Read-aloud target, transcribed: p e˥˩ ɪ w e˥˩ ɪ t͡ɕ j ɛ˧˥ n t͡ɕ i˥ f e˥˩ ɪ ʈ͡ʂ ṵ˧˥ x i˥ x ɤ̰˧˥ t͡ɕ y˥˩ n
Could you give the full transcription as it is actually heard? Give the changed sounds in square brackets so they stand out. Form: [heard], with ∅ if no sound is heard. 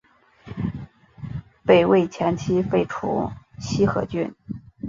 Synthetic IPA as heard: p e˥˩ ɪ w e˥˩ ɪ [t͡ɕʰ] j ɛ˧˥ n [t͡ɕʰ] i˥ f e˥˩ ɪ [ʈ͡ʂʰ] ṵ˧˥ [ɕ] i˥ x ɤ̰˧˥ t͡ɕ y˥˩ n

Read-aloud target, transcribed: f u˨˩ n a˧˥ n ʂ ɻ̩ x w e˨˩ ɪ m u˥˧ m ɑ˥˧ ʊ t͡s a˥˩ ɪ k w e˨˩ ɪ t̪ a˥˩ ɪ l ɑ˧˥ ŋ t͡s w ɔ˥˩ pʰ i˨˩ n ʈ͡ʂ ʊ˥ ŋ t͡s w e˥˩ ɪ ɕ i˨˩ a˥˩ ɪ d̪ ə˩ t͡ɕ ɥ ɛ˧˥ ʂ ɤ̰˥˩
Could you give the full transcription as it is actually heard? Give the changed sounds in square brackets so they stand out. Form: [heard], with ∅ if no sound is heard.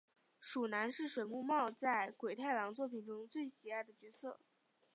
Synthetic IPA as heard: [ʂ] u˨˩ n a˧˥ n ʂ ɻ̩ [ʂ] w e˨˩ ɪ m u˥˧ m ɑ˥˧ ʊ t͡s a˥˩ ɪ k w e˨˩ ɪ [t̪ʰ] a˥˩ ɪ l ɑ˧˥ ŋ t͡s w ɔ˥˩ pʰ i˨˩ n ʈ͡ʂ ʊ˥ ŋ t͡s w e˥˩ ɪ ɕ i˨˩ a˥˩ ɪ d̪ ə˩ t͡ɕ ɥ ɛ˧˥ [s] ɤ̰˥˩

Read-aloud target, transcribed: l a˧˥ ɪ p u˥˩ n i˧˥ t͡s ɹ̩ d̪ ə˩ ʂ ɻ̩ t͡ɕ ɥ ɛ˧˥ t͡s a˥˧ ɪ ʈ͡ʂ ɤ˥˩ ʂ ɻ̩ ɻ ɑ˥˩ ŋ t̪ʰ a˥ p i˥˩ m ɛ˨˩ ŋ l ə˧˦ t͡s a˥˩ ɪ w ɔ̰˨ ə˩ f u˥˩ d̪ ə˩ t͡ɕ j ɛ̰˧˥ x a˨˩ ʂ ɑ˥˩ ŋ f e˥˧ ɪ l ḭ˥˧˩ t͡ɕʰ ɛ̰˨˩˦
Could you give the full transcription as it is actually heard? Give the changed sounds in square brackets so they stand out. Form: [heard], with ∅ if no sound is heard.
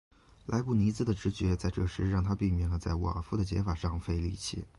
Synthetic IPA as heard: l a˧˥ ɪ p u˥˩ n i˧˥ t͡s ɹ̩ d̪ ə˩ [ʈ͡ʂ] ɻ̩ t͡ɕ ɥ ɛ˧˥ t͡s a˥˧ ɪ ʈ͡ʂ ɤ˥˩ ʂ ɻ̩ ɻ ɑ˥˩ ŋ t̪ʰ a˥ p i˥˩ m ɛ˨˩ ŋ l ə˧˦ t͡s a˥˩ ɪ w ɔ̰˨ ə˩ f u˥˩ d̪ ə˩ t͡ɕ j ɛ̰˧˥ [f] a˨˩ ʂ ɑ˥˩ ŋ f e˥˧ ɪ l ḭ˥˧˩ t͡ɕʰ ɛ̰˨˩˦

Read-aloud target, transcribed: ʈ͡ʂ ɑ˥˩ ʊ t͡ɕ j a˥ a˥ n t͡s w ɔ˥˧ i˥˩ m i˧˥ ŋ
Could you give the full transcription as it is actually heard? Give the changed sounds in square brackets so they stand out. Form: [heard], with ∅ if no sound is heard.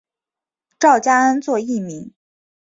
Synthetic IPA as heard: ʈ͡ʂ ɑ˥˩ ʊ t͡ɕ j a˥ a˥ n t͡s w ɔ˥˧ i˥˩ m i˧˥ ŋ

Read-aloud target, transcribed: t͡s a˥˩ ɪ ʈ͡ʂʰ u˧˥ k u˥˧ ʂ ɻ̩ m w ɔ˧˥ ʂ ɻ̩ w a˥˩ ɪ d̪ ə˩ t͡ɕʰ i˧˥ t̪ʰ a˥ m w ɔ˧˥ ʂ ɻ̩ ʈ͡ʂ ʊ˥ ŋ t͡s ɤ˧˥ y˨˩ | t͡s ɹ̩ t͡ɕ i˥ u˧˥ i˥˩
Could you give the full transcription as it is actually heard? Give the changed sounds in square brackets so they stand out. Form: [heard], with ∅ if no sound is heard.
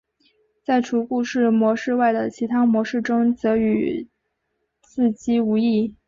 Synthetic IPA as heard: t͡s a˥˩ ɪ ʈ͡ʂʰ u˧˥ k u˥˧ ʂ ɻ̩ m w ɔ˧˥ ʂ ɻ̩ w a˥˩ ɪ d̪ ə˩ t͡ɕʰ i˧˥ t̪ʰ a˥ m w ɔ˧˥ ʂ ɻ̩ ʈ͡ʂ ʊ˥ ŋ t͡s ɤ˧˥ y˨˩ | t͡s ɹ̩ t͡ɕ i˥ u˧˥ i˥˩

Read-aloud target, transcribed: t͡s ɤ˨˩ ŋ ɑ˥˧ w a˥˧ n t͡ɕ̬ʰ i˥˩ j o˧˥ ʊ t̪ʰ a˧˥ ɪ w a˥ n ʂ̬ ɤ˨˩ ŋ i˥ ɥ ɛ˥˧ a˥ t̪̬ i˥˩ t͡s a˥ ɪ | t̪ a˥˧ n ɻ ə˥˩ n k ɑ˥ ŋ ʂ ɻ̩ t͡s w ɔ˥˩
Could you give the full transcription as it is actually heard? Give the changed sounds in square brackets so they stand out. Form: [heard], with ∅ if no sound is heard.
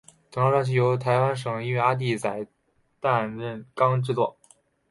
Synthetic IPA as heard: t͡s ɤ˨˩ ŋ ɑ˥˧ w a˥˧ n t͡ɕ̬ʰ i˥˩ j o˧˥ ʊ t̪ʰ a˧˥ ɪ w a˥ n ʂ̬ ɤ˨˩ ŋ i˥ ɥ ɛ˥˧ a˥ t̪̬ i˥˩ t͡s [a˨˩] ɪ | t̪ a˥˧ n ɻ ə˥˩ n k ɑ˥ ŋ [ʈ͡ʂ] ɻ̩ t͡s w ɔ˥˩

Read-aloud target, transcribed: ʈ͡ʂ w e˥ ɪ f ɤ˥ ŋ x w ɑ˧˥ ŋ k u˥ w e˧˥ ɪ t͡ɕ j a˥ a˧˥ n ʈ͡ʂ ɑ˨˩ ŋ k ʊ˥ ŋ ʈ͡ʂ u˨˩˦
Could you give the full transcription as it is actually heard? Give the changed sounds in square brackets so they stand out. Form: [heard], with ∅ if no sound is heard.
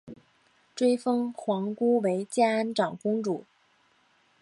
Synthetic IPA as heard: ʈ͡ʂ w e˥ ɪ f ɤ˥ ŋ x w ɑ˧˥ ŋ k u˥ w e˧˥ ɪ t͡ɕ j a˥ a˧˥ n ʈ͡ʂ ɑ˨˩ ŋ k ʊ˥ ŋ ʈ͡ʂ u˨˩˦

